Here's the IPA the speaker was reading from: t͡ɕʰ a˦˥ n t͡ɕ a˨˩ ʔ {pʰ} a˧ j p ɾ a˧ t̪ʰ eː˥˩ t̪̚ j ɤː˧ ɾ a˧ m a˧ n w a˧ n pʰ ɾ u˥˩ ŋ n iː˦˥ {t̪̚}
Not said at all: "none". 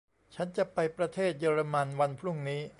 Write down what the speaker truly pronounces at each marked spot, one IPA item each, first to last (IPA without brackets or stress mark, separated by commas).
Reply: p, none